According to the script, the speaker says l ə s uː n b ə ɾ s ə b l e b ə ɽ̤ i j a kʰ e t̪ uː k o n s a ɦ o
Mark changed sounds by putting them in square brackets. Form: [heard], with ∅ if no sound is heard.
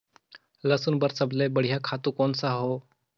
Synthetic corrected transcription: l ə s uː n b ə ɾ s ə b l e b ə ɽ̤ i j a kʰ [a] t̪ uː k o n s a ɦ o